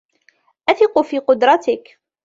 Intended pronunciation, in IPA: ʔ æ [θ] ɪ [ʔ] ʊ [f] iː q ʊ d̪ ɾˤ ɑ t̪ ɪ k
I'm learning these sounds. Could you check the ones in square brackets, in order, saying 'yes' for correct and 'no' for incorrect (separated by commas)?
yes, no, yes